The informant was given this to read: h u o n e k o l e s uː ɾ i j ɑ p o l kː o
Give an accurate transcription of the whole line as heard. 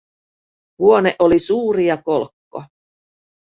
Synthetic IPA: h u o n e ʔ o l i s uː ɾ i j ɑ k o l kː o